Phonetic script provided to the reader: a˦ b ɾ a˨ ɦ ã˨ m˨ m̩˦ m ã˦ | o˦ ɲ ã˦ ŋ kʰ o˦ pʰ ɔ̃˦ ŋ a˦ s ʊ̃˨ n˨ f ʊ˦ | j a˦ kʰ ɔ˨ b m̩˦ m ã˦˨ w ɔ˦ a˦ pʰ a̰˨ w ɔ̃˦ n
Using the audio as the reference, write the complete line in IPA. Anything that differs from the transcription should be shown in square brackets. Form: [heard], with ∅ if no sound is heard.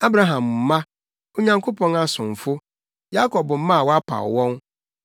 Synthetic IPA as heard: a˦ b ɾ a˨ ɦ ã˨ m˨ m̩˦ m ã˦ | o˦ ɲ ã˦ ŋ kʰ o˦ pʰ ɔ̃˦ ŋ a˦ s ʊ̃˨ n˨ f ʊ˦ | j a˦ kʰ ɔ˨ b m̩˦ m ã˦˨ w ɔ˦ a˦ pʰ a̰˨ w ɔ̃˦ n